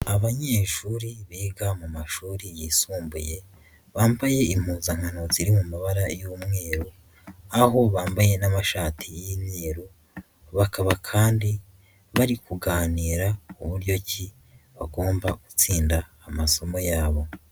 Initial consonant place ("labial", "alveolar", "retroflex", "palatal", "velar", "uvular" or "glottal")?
labial